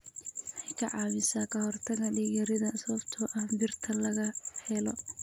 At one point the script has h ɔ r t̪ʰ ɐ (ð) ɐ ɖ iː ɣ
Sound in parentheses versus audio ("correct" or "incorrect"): incorrect